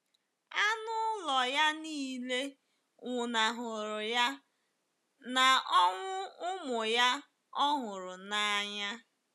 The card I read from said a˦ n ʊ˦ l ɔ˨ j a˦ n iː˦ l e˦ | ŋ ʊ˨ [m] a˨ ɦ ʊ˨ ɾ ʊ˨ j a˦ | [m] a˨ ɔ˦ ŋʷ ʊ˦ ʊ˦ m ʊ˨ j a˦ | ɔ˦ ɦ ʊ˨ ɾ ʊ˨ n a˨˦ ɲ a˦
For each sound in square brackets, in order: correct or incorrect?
incorrect: n, incorrect: n

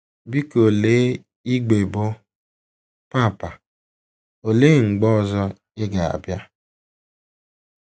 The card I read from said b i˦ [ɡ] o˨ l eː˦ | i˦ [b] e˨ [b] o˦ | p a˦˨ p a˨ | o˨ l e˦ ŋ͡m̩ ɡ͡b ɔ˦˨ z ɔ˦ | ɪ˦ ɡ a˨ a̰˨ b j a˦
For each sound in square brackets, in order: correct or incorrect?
incorrect: k, incorrect: ɡ͡b, correct

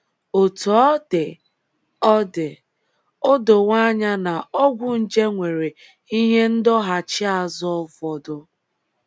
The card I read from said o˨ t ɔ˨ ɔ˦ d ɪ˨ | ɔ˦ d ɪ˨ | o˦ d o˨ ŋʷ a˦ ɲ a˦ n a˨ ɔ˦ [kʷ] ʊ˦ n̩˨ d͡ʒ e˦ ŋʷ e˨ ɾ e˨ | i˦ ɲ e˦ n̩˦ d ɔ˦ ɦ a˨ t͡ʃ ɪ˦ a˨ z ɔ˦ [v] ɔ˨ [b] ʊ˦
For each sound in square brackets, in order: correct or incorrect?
incorrect: ɡʷ, correct, incorrect: d

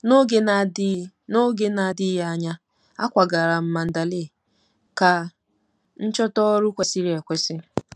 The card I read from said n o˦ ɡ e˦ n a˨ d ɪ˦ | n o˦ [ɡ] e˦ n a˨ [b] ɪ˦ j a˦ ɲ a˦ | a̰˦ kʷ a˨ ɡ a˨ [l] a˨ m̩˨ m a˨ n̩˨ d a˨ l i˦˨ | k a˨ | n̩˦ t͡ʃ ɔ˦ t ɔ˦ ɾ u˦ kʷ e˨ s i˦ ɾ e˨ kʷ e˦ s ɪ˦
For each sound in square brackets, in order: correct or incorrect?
correct, incorrect: d, incorrect: ɾ

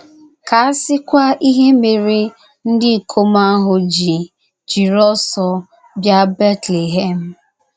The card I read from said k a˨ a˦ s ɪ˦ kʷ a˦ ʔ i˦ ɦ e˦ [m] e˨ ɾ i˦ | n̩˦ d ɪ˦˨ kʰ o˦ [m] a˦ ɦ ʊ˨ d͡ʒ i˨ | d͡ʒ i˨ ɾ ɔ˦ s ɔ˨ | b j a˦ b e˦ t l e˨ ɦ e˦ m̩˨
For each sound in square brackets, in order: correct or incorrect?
correct, correct

